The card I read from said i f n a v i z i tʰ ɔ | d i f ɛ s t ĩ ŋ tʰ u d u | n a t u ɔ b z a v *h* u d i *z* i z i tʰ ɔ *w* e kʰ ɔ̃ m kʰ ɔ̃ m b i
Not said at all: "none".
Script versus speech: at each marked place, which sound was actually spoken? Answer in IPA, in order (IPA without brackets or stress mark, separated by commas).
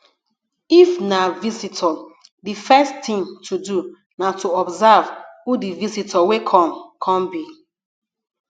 h, v, w